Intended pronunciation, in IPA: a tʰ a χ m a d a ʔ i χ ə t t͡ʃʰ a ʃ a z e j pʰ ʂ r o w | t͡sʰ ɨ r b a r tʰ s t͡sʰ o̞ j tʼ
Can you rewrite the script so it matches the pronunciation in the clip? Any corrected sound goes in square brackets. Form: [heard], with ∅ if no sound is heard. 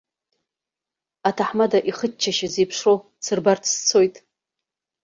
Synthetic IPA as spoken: a tʰ a [ħ] m a d a ʔ i χ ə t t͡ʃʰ a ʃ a z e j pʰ ʂ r o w | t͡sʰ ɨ r b a r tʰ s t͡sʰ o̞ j tʼ